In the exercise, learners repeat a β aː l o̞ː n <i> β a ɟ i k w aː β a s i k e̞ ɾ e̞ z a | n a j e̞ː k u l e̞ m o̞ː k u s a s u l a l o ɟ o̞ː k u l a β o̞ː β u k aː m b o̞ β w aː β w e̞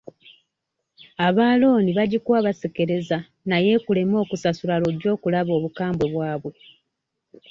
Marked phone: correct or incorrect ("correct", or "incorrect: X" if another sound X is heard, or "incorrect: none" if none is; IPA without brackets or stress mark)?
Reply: correct